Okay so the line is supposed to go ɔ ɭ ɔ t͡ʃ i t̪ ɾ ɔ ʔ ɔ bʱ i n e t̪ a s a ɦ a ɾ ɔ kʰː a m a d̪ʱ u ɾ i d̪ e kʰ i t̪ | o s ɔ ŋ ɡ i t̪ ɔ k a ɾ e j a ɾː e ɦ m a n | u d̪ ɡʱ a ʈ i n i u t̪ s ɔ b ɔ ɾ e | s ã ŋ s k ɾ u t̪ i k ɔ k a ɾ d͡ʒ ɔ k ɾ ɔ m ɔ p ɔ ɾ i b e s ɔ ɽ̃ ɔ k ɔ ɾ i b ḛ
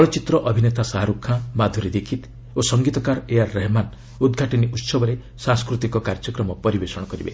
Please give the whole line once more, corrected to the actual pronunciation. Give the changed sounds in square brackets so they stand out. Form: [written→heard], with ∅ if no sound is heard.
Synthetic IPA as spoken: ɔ ɭ ɔ t͡ʃ i t̪ ɾ ɔ ʔ ɔ bʱ i n e t̪ a s a ɦ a ɾ [ɔ→u] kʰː a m a d̪ʱ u ɾ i d̪ e kʰ i t̪ | o s ɔ ŋ ɡ i t̪ ɔ k a ɾ e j a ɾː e ɦ m a n | u d̪ ɡʱ a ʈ i n i u t̪ s ɔ b ɔ ɾ e | s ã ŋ s k ɾ u t̪ i k ɔ k a ɾ d͡ʒ ɔ k ɾ ɔ m ɔ p ɔ ɾ i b e s ɔ ɽ̃ ɔ k ɔ ɾ i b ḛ